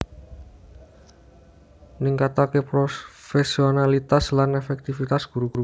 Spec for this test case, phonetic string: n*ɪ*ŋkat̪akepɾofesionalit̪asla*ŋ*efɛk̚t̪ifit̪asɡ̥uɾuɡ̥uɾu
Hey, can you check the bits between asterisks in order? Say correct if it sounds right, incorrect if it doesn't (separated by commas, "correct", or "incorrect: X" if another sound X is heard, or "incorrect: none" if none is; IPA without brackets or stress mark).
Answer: incorrect: i, incorrect: n